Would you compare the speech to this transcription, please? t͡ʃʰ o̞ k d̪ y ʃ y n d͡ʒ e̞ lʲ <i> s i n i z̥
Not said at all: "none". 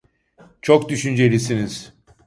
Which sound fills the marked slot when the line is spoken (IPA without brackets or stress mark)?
i